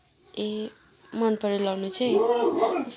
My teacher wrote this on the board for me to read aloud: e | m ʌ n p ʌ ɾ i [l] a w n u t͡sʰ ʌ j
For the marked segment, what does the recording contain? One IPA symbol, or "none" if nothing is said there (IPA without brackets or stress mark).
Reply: l